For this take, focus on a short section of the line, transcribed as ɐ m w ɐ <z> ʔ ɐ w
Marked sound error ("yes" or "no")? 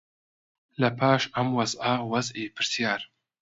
no